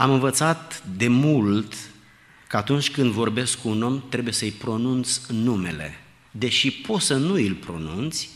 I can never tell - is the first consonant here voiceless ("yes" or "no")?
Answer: no